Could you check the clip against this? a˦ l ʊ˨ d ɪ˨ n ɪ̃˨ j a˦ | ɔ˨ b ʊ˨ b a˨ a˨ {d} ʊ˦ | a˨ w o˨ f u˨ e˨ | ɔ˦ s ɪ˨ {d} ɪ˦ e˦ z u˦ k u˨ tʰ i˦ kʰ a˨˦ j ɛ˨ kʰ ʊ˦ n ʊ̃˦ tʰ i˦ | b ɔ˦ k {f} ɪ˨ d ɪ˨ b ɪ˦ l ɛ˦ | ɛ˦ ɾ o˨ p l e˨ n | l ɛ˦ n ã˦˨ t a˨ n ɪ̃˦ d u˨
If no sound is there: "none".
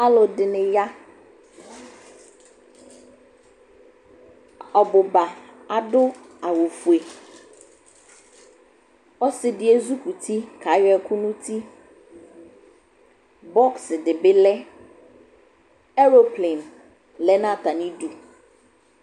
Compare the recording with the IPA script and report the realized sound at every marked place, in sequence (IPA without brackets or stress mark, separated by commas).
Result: d, d, s